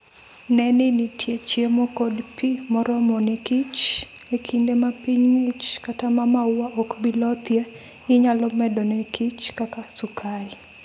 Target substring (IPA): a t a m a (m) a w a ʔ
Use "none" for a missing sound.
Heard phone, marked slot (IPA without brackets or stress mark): m